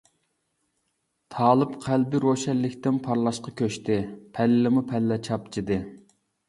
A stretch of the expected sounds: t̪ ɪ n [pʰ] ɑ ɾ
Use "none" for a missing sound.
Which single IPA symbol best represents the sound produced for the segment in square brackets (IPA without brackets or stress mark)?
pʰ